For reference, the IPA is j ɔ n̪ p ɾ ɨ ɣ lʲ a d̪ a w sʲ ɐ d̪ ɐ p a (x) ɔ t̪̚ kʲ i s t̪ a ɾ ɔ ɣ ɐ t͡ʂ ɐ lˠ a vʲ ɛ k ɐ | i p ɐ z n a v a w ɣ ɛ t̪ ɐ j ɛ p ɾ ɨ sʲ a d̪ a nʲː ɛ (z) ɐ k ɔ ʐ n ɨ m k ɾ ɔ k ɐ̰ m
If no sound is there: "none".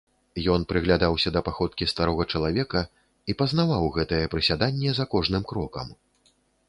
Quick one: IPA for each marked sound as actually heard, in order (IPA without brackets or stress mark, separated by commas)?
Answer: x, z